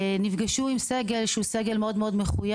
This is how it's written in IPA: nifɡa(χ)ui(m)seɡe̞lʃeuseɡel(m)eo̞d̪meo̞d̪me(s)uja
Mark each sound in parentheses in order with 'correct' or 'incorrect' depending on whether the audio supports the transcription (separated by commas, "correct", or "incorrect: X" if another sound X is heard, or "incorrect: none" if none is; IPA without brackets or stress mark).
incorrect: ʃ, correct, correct, incorrect: χ